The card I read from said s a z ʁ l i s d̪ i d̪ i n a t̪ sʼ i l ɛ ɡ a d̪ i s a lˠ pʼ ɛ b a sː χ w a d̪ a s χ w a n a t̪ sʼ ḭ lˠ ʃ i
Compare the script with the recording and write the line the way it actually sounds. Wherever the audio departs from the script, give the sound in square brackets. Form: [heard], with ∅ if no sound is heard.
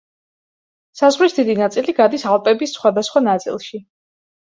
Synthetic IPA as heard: s a z ʁ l i s d̪ i d̪ i n a t̪ sʼ i l [i] ɡ a d̪ i s a lˠ pʼ ɛ b [i] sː χ w a d̪ a s χ w a n a t̪ sʼ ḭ lˠ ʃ i